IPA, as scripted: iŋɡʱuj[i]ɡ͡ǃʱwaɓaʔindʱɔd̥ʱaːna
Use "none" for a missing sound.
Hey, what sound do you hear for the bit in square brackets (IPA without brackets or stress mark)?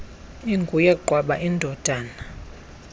ɛ